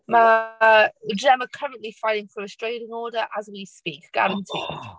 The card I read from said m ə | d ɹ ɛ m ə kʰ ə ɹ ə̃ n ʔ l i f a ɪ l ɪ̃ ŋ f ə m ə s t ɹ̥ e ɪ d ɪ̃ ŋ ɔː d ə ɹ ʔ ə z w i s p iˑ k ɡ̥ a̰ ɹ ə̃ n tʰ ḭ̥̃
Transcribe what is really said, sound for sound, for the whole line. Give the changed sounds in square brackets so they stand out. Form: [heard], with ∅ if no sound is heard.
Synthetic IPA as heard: m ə | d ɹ ɛ m ə kʰ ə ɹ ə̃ n ʔ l i f a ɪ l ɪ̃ ŋ f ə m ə s t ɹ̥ e ɪ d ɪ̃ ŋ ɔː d ə ɹ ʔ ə z w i s p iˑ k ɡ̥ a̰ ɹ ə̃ n tʰ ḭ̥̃